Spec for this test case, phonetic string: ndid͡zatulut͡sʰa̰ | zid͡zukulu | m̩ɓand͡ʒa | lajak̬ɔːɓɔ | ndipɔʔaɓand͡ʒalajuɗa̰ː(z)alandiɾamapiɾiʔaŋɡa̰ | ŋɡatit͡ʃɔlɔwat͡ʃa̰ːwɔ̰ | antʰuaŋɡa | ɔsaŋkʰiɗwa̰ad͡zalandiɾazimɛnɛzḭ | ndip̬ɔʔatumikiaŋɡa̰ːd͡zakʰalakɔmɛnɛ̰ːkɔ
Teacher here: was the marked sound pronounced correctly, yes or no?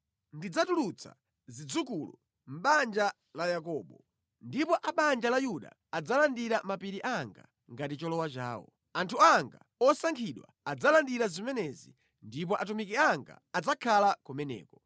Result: no